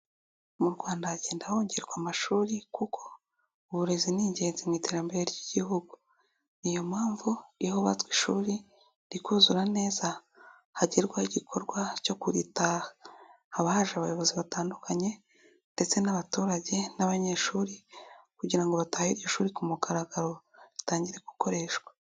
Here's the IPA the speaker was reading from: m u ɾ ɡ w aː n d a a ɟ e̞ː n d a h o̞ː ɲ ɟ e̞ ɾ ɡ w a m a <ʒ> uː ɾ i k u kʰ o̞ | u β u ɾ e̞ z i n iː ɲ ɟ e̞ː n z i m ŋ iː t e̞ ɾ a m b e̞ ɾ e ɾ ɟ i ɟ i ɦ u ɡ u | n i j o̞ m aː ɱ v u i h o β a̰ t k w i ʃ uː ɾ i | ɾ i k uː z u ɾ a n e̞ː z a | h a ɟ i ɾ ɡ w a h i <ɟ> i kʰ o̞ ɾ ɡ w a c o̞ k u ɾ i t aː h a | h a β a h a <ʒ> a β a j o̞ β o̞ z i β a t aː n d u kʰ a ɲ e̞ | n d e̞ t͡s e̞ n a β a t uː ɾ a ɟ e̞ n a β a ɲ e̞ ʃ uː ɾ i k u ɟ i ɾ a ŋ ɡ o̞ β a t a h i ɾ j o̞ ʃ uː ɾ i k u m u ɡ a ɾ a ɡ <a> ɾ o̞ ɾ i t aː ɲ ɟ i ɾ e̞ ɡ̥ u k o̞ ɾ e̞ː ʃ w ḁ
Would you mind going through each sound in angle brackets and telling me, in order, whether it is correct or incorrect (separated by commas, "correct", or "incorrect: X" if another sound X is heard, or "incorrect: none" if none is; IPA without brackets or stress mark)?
incorrect: ʃ, correct, correct, correct